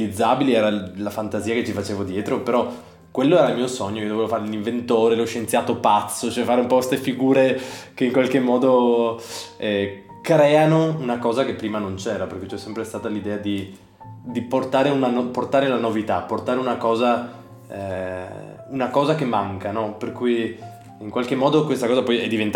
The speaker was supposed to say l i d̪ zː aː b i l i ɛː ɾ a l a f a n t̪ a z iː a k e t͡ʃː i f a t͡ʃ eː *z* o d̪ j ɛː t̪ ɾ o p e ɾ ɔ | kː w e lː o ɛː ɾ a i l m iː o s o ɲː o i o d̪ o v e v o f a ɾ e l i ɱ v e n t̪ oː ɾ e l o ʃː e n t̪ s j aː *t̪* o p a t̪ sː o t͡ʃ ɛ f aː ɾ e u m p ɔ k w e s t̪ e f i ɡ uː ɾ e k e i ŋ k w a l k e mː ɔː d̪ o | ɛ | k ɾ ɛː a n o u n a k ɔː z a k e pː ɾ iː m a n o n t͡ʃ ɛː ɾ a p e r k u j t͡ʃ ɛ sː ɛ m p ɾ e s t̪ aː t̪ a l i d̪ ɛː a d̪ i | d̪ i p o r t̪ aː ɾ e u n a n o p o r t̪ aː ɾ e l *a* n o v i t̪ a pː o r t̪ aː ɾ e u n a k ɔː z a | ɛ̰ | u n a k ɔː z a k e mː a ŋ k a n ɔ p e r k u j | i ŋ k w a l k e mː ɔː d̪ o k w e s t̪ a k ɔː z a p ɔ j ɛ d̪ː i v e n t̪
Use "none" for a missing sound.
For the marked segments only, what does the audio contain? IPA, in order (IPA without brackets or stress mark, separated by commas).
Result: v, t̪, a